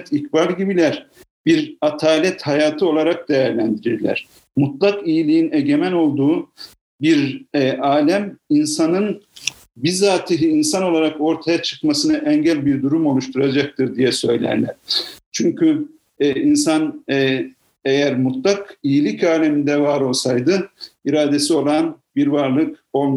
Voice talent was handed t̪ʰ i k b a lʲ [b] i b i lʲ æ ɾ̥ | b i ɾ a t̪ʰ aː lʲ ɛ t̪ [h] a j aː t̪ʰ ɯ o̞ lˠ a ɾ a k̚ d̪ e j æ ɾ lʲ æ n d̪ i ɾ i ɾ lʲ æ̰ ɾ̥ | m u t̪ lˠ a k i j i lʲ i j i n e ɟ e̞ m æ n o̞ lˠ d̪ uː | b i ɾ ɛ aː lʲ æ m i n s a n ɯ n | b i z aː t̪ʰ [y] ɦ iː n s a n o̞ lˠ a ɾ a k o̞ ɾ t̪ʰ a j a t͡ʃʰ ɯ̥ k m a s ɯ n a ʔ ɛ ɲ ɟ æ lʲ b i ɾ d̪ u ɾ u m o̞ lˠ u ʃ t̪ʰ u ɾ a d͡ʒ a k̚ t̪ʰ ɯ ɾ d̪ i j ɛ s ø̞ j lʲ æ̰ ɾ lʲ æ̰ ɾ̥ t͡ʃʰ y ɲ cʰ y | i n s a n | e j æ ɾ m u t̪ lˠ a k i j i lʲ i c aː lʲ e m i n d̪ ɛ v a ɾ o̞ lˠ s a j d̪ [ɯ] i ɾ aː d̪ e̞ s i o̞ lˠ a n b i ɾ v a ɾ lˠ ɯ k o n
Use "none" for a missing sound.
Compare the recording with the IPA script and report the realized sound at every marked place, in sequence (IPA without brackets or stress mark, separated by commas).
ɟ, h, i, ɯ